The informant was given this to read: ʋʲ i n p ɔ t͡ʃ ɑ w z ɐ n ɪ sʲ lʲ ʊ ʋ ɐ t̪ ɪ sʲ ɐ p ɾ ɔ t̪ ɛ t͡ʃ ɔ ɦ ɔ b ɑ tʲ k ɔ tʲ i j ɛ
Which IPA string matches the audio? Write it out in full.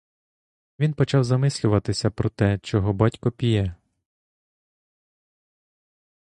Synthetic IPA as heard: ʋʲ i n p ɔ t͡ʃ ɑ w z ɐ m ɪ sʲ lʲ ʊ ʋ ɐ t̪ ɪ sʲ ɐ p ɾ ɔ t̪ ɛ t͡ʃ ɔ ɦ ɔ b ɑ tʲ k ɔ pʲ i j ɛ